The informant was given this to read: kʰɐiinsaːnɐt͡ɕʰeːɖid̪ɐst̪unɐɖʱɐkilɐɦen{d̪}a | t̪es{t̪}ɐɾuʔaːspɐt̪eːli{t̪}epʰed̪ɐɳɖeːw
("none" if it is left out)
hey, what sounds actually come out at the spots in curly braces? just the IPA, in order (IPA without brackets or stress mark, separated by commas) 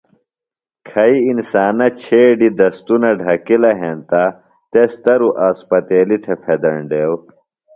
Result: t̪, t̪, t̪ʰ